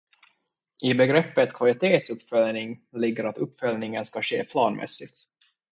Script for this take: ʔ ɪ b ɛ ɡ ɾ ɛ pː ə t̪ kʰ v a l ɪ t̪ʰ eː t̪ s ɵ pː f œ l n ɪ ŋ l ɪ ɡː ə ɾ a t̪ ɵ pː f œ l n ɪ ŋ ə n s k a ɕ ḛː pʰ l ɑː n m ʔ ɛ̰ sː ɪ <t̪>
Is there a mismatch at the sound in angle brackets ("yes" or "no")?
no